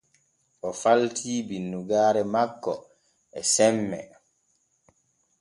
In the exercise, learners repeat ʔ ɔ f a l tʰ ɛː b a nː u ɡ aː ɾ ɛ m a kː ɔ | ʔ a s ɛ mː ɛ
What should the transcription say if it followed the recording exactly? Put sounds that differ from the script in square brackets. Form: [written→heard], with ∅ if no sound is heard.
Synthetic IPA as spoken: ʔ ɔ f a l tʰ [ɛː→iː] b [a→i] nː u ɡ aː ɾ ɛ m a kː ɔ | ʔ [a→ɛ] s ɛ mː ɛ

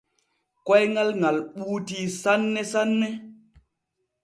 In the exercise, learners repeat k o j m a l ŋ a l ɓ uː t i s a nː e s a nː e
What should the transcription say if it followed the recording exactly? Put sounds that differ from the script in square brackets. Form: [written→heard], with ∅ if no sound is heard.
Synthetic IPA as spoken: k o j [m→ŋ] a l ŋ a l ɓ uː t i s a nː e s a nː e

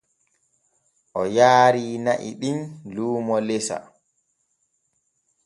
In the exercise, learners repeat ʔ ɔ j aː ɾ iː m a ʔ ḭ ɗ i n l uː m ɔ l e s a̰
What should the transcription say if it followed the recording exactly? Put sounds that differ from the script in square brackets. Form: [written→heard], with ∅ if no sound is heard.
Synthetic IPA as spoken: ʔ ɔ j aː ɾ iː [m→n] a ʔ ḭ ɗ i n l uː m ɔ l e s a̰

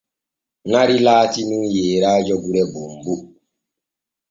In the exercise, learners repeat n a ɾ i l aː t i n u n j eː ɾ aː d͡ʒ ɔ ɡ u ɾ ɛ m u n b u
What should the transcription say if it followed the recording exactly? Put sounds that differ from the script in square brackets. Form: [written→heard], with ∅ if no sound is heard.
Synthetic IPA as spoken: n a ɾ i l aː t i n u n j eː ɾ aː d͡ʒ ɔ ɡ u ɾ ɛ [m→b] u [n→m] b u

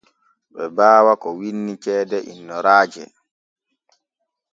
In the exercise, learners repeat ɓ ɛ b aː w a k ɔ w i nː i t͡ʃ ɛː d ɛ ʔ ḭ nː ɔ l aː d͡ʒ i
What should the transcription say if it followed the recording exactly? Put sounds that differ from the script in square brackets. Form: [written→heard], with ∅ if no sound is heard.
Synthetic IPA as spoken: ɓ ɛ b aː w a k ɔ w i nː i t͡ʃ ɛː d ɛ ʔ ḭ nː ɔ [l→ɾ] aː d͡ʒ [i→ɛ]

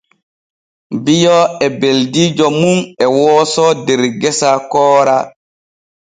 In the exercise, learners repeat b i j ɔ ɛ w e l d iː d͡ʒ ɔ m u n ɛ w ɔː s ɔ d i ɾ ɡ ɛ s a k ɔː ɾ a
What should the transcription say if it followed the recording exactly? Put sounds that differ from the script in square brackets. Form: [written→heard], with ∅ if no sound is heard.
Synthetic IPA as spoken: b i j ɔ ɛ [w→b] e l d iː d͡ʒ ɔ m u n ɛ w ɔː s ɔ d [i→ɛ] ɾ ɡ ɛ s a k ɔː ɾ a

